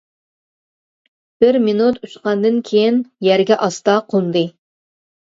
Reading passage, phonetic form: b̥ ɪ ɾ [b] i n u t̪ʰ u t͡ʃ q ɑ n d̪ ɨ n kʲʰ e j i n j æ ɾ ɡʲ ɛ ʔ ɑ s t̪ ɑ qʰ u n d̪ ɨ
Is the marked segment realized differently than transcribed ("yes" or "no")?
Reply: yes